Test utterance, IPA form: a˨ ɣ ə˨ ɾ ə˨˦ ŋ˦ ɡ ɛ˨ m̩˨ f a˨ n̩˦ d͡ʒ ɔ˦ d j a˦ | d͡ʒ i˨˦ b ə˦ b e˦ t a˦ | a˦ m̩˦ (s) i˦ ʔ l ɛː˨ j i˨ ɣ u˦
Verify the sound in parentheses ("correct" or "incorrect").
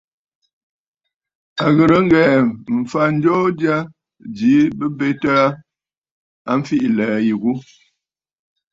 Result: incorrect